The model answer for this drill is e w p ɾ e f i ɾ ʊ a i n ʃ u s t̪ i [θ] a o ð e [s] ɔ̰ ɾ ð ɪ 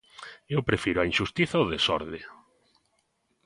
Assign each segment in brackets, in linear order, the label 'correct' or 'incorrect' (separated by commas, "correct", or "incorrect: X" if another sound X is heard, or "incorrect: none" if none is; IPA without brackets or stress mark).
correct, correct